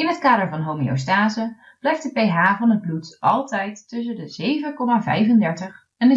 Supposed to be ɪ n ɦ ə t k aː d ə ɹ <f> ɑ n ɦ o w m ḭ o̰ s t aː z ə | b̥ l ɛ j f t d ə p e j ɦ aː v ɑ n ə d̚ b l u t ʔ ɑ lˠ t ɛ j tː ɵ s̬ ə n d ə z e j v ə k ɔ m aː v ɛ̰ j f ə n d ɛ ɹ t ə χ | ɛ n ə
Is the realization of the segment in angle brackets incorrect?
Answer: yes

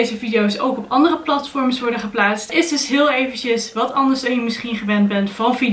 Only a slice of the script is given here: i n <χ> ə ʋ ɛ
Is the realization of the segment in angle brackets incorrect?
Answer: no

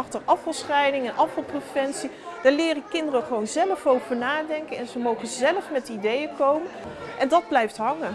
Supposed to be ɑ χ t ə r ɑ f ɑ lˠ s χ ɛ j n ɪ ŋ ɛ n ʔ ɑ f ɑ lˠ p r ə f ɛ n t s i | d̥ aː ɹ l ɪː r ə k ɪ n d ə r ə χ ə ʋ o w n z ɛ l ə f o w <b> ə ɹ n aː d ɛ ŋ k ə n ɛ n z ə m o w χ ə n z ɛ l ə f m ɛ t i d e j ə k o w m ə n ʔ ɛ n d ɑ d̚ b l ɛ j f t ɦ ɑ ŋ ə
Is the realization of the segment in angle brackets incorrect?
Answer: yes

